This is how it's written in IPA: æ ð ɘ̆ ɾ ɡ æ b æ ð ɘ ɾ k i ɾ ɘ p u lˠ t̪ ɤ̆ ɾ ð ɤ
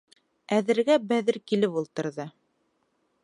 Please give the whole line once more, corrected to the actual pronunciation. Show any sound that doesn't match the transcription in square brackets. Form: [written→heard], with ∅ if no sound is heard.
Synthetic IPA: æ ð ɘ̆ ɾ ɡ æ b æ ð ɘ ɾ k i [ɾ→l] ɘ p u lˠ t̪ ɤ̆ ɾ ð ɤ